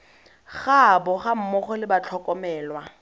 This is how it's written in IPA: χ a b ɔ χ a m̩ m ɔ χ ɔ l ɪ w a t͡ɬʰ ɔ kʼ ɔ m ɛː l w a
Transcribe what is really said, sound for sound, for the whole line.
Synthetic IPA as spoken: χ a b ɔ χ a m̩ m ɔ χ ɔ l ɪ b a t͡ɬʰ ɔ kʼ ɔ m ɛː l w a